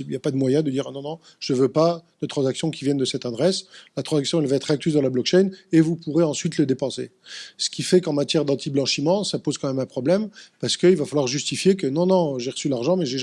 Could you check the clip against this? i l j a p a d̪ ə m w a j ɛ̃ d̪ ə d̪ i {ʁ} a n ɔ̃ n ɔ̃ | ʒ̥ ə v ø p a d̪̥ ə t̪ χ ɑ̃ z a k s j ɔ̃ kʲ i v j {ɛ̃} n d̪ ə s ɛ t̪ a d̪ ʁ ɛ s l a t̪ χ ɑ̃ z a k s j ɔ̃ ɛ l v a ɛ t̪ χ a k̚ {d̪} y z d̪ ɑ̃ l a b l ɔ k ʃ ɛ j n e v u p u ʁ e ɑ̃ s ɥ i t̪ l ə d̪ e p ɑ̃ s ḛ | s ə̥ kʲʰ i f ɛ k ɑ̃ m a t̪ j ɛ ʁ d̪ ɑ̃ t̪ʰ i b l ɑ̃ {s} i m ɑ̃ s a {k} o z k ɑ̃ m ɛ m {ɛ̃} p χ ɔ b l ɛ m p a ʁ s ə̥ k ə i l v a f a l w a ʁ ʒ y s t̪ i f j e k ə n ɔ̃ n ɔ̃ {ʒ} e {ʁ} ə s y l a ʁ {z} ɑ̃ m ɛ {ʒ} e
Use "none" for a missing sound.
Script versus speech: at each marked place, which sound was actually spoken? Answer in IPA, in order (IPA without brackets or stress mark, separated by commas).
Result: ʁ, ɛ, t̪, ʃ, p, ɛ̃, ʒ, ʁ, ʒ, ʒ